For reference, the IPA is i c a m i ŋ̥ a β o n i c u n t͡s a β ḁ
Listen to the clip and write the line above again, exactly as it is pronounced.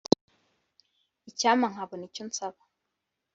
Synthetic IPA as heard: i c a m a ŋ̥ a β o n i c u n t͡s a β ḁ